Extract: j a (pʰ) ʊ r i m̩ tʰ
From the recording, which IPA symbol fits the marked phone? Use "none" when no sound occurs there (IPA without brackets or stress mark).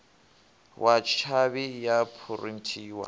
pʰ